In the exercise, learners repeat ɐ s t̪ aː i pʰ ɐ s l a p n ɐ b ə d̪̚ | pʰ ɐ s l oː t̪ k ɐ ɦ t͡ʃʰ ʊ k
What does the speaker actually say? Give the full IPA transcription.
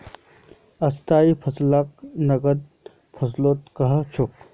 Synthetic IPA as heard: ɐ s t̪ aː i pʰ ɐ s l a k n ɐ ɡ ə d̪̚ | pʰ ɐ s l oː t̪ k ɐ ɦ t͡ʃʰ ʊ k